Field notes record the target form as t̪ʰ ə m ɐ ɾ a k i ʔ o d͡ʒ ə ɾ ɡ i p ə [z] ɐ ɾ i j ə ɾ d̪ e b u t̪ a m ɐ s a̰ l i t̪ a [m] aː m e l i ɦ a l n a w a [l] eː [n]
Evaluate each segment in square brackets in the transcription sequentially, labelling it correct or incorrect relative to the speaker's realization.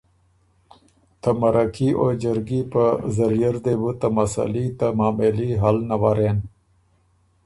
correct, correct, incorrect: ɾ, correct

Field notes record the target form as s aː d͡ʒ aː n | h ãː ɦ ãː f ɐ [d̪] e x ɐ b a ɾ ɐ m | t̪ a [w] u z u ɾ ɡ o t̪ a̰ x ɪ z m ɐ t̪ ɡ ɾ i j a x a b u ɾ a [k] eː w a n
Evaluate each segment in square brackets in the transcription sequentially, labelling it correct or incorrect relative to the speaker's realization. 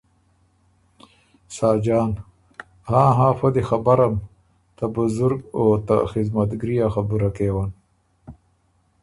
correct, incorrect: b, correct

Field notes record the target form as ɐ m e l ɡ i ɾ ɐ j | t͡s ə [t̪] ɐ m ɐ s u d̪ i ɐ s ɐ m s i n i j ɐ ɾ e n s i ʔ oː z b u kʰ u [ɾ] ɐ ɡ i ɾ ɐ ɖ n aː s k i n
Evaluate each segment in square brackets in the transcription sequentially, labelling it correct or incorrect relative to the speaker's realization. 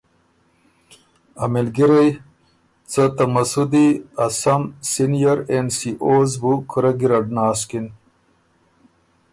correct, correct

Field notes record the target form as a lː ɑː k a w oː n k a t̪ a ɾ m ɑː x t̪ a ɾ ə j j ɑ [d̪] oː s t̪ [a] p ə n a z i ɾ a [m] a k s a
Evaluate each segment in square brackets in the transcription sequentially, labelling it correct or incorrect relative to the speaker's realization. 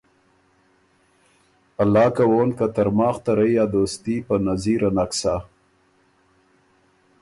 correct, incorrect: i, incorrect: n

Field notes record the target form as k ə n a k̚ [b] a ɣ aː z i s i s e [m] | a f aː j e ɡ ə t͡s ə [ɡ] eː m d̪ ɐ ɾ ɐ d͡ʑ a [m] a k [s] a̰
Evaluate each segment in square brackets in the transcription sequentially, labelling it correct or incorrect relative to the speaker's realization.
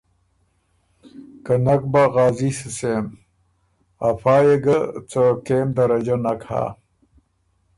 correct, correct, incorrect: k, incorrect: n, incorrect: h

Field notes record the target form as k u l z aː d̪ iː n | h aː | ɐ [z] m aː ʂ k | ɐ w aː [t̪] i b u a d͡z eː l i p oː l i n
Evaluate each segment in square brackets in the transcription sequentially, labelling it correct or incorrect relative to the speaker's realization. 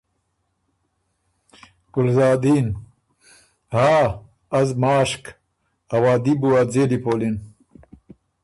correct, incorrect: d̪

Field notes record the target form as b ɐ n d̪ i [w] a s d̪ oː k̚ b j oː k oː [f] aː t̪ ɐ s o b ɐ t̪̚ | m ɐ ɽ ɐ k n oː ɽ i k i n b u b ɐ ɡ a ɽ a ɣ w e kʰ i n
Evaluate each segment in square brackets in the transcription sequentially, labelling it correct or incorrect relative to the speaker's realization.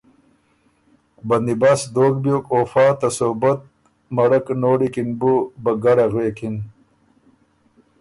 incorrect: b, correct

